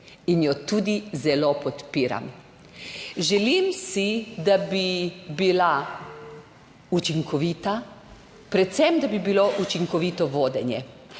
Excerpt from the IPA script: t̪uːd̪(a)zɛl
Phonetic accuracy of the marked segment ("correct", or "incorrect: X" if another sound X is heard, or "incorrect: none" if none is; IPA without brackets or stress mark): incorrect: i